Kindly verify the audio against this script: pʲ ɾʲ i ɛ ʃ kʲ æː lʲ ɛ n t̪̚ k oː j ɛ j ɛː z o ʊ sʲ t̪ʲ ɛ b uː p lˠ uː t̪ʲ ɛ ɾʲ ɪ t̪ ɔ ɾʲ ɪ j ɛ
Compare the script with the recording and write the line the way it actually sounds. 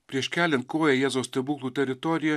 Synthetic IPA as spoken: pʲ ɾʲ i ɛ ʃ kʲ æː lʲ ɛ n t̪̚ k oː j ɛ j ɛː z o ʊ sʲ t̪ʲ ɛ b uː k lˠ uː t̪ʲ ɛ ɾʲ ɪ t̪ ɔ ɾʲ ɪ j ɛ